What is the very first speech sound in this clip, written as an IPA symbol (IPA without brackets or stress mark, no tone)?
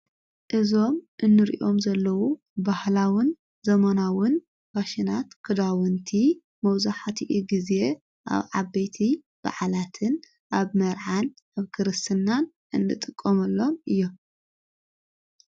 ʔ